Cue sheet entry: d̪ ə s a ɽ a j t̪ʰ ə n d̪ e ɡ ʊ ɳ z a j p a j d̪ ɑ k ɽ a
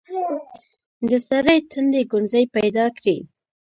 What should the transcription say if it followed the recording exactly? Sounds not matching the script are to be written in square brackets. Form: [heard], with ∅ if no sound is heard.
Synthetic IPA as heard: d̪ ə s a [ɾ] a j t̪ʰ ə n d̪ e ɡ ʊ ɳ z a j p a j d̪ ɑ k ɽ [i]

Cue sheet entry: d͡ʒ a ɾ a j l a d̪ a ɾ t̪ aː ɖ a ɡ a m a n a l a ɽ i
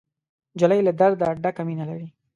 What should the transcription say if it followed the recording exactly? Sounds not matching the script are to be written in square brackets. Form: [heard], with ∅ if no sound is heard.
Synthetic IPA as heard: d͡ʒ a [l] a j l a d̪ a ɾ [d̪] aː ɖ a [k] a m [i] n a l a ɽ i

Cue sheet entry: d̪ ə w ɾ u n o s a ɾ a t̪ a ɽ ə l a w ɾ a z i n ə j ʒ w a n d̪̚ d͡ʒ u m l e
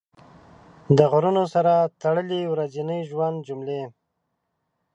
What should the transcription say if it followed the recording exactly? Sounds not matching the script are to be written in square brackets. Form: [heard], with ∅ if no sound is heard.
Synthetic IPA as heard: d̪ ə [ɣ] ɾ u n o s a ɾ a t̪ a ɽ ə l [i] w ɾ a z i n ə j ʒ w a n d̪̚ d͡ʒ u m l e

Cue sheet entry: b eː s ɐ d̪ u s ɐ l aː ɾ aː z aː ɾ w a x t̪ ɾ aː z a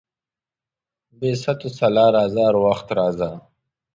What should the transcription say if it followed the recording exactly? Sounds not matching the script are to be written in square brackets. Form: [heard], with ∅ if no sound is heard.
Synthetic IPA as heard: b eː s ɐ [t̪] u s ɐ l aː ɾ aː z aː ɾ w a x t̪ ɾ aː z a

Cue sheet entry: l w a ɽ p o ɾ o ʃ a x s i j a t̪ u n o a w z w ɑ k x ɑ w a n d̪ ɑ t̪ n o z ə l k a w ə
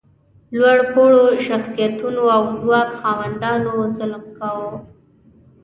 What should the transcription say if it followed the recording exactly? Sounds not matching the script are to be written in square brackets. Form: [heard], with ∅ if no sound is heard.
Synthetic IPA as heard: l w a ɽ p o [ɽ] o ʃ a x s i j a t̪ u n o a w z w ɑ k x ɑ w a n d̪ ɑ [∅] n o z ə l k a w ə

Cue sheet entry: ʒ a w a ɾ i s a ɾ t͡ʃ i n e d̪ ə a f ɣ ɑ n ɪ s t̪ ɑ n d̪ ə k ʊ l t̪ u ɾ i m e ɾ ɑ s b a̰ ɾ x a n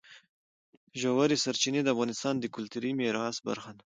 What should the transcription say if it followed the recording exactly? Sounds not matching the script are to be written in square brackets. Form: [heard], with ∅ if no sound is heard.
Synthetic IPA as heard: ʒ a w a ɾ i s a ɾ t͡ʃ i n e d̪ ə a f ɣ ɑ n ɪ s t̪ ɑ n d̪ ə k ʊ l t̪ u ɾ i m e ɾ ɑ s b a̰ ɾ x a n

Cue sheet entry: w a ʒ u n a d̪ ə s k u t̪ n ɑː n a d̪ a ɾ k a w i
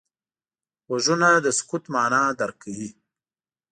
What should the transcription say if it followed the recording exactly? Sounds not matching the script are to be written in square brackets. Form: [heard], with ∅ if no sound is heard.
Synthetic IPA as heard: w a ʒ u n a d̪ ə s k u t̪ [m] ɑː n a d̪ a ɾ k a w i

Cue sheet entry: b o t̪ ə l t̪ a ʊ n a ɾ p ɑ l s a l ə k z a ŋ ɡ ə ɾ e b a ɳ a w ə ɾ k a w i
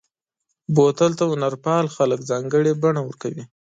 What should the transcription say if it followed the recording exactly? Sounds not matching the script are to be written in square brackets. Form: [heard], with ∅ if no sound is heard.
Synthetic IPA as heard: b o t̪ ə l t̪ a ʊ n a ɾ p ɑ l [x] a l ə k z [ɑ] ŋ ɡ ə [ɽ] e b a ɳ a w ə ɾ k a w i

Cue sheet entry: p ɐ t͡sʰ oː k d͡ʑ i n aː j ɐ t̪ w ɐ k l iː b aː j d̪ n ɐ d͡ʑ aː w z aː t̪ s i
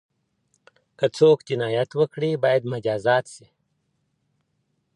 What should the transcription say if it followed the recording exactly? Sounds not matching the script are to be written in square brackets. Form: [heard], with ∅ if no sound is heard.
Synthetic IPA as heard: [k] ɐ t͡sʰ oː k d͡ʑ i n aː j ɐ t̪ w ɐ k [ɽ] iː b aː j d̪ [m] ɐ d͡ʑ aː [∅] z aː t̪ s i

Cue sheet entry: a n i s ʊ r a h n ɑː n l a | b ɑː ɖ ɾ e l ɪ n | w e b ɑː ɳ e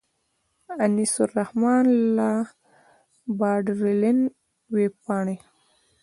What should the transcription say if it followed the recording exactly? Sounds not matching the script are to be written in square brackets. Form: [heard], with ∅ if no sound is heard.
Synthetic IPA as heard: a n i s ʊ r a h [m] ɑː n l a | b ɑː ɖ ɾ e l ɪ n | w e [p] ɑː ɳ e

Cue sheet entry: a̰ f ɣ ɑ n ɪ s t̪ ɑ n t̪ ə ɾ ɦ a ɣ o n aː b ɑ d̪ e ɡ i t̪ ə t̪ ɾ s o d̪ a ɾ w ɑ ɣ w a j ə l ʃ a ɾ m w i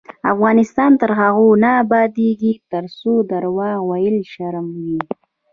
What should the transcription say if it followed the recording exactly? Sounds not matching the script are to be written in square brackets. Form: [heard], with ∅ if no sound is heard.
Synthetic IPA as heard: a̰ f ɣ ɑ n ɪ s t̪ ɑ n t̪ ə ɾ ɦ a ɣ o n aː b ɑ d̪ e ɡ i t̪ ə [∅] ɾ s o d̪ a ɾ w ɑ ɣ w a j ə l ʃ a ɾ m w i

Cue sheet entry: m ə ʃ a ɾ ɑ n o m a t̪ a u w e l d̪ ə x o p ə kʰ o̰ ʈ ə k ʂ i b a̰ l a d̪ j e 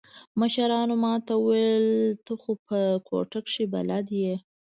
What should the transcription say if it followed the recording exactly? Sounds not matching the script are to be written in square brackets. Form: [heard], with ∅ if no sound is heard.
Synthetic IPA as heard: m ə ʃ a ɾ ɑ n o m [ɑ] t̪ a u w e l [t̪] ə x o p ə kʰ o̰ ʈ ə k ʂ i b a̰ l a d̪ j e

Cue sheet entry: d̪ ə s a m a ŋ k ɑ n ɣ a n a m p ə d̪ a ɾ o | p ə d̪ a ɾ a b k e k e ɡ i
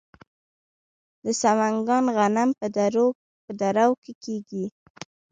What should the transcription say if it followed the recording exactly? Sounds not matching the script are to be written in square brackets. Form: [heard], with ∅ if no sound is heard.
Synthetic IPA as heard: d̪ ə s a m a ŋ [ɡ] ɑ n ɣ a n a m p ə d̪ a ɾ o | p ə d̪ a ɾ a [w] k e k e ɡ i

